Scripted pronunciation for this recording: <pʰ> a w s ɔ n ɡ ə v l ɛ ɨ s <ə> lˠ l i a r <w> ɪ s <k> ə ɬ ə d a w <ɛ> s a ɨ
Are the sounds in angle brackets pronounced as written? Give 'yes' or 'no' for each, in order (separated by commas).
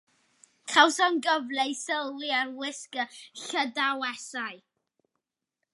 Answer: no, yes, yes, yes, yes